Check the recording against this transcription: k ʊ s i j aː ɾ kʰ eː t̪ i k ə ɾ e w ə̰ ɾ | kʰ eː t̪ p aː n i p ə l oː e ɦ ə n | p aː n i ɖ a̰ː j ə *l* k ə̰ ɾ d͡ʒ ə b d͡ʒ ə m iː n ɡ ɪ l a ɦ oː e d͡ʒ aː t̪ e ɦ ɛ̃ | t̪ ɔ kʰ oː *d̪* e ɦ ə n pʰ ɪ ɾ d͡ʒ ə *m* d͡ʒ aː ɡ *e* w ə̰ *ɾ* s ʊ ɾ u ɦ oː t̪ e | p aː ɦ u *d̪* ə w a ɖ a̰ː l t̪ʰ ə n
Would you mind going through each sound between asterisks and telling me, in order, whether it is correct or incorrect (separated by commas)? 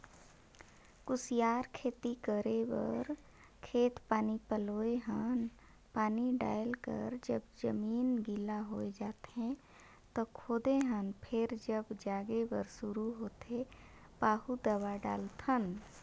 correct, correct, incorrect, correct, correct, correct